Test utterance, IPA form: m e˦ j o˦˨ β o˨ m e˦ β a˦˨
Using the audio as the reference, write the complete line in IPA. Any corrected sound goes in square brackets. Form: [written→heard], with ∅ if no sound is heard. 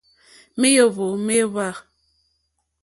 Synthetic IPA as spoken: m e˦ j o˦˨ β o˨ m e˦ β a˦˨